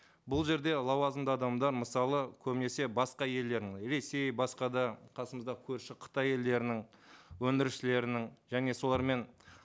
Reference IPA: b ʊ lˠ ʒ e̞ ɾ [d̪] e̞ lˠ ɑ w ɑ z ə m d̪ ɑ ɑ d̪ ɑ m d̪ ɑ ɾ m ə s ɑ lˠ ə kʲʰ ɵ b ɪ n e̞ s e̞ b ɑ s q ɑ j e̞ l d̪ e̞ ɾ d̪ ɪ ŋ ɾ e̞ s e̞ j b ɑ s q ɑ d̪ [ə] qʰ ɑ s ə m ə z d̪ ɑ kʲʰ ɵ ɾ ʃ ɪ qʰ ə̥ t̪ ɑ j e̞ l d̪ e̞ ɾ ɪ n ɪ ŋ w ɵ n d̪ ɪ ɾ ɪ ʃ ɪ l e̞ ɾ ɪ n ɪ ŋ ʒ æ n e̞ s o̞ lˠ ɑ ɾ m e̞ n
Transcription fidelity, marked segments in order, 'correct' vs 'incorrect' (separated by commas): correct, incorrect